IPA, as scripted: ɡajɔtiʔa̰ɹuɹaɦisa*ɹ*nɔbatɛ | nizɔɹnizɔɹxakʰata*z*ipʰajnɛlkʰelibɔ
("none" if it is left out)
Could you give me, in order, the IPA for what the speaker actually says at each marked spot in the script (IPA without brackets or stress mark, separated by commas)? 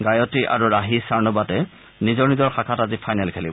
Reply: ɹ, z